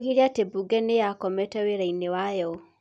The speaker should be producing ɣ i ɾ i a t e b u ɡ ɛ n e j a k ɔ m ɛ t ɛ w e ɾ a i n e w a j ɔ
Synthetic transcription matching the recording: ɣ i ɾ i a t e b u ɡ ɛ n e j a k ɔ m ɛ t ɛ w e ɾ a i n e w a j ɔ